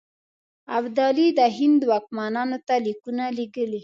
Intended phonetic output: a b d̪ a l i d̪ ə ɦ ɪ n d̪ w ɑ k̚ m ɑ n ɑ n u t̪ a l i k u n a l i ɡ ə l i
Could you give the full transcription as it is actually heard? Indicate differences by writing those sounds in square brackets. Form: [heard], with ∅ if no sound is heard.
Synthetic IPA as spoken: a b d̪ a l i d̪ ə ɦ ɪ n d̪ w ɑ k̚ m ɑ n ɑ n [o] t̪ a l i k u n a l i ɡ ə l i

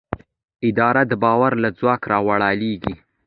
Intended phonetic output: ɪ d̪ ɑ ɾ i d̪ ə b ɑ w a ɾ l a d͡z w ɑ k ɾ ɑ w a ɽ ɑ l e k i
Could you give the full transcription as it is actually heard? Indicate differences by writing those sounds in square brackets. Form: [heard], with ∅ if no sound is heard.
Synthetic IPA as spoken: ɪ d̪ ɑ ɾ [a] d̪ ə b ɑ w a ɾ l a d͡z w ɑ k ɾ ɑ w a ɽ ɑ l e [ɡ] i

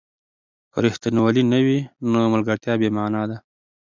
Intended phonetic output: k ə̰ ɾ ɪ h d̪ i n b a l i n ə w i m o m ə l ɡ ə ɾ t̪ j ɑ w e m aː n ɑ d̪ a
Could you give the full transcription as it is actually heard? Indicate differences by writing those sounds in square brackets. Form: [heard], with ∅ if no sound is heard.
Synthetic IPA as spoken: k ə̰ ɾ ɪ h [t̪] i n [w] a l i n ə w i [n] o m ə l ɡ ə ɾ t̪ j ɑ [b] e m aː n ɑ d̪ a

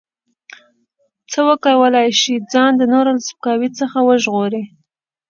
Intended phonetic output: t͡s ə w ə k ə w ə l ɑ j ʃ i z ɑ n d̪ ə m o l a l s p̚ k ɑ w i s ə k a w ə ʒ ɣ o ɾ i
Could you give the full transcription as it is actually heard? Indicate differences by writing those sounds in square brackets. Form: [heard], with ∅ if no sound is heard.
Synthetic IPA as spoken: t͡s ə w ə k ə w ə l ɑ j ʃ i [d͡z] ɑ n d̪ ə [n] o [ɾ] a l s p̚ k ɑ w i [t͡s] ə [x] a w ə ʒ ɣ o ɾ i

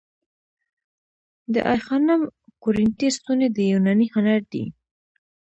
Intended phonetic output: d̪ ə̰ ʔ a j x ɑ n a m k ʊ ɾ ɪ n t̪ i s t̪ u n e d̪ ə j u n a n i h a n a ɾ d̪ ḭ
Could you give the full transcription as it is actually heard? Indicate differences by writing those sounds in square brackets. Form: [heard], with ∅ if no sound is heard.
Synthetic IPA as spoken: d̪ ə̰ ʔ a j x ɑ n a m k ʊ ɾ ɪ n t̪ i s t̪ u n e d̪ ə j u n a n i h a n a ɾ d̪ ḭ

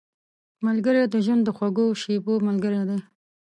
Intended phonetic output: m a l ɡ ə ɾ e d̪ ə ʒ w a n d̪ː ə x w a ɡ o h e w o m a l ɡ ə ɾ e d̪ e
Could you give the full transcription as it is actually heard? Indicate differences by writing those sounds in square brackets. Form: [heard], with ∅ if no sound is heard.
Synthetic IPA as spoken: m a l ɡ ə ɾ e d̪ ə ʒ w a n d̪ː ə x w a ɡ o [ʃ] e [b] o m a l ɡ ə ɾ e d̪ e

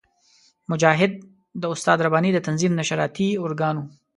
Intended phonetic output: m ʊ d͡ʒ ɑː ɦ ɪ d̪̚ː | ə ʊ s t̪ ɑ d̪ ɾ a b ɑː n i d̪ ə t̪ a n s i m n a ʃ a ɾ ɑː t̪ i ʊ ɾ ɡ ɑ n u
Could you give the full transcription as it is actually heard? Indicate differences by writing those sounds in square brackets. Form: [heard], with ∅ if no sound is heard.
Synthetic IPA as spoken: m ʊ d͡ʒ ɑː ɦ ɪ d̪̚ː | ə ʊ s t̪ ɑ d̪ ɾ a b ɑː n i d̪ ə t̪ a n [z] i m n a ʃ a ɾ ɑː t̪ i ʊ ɾ ɡ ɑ n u

